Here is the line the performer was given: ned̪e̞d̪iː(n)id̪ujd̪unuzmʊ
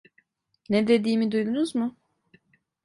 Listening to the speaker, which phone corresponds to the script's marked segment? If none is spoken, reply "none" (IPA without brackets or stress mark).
m